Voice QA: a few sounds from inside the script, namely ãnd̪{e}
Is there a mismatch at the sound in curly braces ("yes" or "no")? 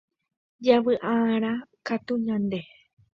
no